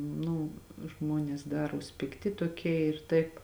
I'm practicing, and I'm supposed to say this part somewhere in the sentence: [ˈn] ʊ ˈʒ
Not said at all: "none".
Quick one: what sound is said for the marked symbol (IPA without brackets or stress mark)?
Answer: n